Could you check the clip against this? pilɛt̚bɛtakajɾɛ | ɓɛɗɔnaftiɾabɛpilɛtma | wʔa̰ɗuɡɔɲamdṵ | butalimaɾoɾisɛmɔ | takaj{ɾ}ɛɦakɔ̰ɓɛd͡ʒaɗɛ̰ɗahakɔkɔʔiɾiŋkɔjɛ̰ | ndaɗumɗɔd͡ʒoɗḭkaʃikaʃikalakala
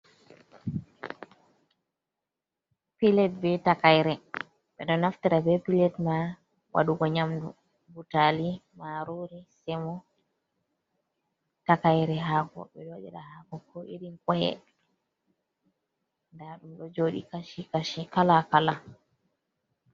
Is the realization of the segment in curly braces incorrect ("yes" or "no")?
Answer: no